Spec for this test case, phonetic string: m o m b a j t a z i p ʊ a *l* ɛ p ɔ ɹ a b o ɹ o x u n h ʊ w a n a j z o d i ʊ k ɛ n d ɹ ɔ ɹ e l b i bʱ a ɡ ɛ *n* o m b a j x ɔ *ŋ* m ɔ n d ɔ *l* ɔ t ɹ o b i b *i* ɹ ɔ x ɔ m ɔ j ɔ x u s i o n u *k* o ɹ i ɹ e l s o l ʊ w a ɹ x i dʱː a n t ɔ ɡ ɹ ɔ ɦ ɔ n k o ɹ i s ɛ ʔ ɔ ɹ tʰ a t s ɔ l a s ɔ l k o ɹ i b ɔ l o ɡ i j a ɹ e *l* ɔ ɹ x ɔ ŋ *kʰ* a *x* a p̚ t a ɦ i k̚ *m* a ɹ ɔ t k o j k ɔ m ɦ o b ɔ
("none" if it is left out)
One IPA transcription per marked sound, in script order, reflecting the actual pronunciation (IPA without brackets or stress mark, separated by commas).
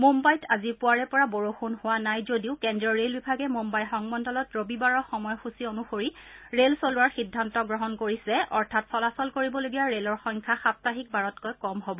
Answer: ɹ, m, ŋ, l, a, x, l, kʰ, x, b